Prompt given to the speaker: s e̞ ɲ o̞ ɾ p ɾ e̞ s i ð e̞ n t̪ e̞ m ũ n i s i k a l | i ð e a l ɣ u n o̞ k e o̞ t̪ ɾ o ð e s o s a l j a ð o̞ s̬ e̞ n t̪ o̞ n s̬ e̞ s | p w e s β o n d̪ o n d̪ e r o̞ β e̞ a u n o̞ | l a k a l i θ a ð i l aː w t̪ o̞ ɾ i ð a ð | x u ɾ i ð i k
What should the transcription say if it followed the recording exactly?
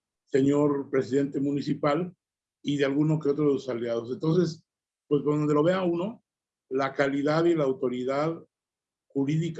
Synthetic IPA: s e̞ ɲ o̞ ɾ p ɾ e̞ s i ð e̞ n t̪ e̞ m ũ n i s i p a l | i ð e a l ɣ u n o̞ k e o̞ t̪ ɾ o ð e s o s a l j a ð o̞ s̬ e̞ n t̪ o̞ n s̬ e̞ s | p w e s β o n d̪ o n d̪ e l o̞ β e̞ a u n o̞ | l a k a l i ð a ð i l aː w t̪ o̞ ɾ i ð a ð | x u ɾ i ð i k

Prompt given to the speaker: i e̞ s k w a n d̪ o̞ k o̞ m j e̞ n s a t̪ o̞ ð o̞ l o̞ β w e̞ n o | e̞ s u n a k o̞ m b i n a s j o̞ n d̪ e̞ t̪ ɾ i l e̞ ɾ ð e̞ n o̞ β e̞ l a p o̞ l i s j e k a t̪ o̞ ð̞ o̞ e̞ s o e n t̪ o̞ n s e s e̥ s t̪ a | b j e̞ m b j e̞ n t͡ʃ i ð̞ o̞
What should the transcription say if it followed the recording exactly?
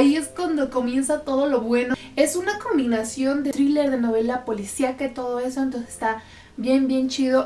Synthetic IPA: i e̞ s k w a n d̪ o̞ k o̞ m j e̞ n s a t̪ o̞ ð o̞ l o̞ β w e̞ n o | e̞ s u n a k o̞ m b i n a s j o̞ n d̪ e̞ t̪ ɾ i l e̞ ɾ ð e̞ n o̞ β e̞ l a p o̞ l i s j a k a t̪ o̞ ð̞ o̞ e̞ s o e n t̪ o̞ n s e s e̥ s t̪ a | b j e̞ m b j e̞ n t͡ʃ i ð̞ o̞

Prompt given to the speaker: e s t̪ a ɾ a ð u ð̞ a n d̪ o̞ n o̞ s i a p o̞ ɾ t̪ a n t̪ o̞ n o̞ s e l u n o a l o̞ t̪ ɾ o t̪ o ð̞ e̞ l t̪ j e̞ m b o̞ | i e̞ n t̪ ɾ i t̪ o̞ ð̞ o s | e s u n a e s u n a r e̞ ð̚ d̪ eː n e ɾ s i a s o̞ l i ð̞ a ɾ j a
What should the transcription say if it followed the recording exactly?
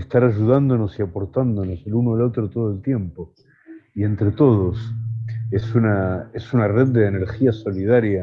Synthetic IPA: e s t̪ a ɾ a ʒ u ð̞ a n d̪ o̞ n o̞ s i a p o̞ ɾ t̪ a n d̪ o̞ n o̞ s e l u n o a l o̞ t̪ ɾ o t̪ o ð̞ e̞ l t̪ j e̞ m p o̞ | i e̞ n t̪ ɾ e t̪ o̞ ð̞ o s | e s u n a e s u n a r e̞ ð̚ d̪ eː n e ɾ x i a s o̞ l i ð̞ a ɾ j a

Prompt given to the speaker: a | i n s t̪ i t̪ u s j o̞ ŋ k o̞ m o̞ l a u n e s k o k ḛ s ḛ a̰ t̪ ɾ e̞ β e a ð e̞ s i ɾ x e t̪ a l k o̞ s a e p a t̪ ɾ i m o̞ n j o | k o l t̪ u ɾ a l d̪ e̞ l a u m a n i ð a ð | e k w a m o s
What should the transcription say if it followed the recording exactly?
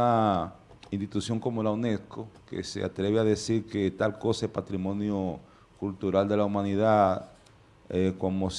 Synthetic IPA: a | i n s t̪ i t̪ u s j o̞ ŋ k o̞ m o̞ l a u n e s k o k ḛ s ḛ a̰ t̪ ɾ e̞ β e a ð e̞ s i ɾ k e t̪ a l k o̞ s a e p a t̪ ɾ i m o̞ n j o | k u l t̪ u ɾ a l d̪ e̞ l a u m a n i ð a ð | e k w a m o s

